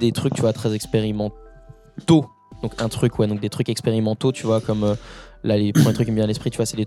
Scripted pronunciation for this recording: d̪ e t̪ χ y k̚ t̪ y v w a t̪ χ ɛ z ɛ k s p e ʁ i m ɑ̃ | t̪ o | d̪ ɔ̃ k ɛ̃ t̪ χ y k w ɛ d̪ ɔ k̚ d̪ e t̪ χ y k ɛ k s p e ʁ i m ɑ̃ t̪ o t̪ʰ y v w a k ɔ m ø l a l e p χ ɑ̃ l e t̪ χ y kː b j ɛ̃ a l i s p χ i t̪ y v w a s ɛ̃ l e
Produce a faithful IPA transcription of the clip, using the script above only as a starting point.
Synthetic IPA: d̪ e t̪ χ y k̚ t̪ y v w a t̪ χ ɛ z ɛ k s p e ʁ i m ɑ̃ | t̪ o | d̪ ɔ̃ k ɛ̃ t̪ χ y k w ɛ d̪ ɔ̃ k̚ d̪ e t̪ χ y k ɛ k s p e ʁ i m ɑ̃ t̪ o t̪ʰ y v w a k ɔ m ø l a l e p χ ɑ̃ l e t̪ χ y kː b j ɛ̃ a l ɛ s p χ i t̪ y v w a s ɛ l e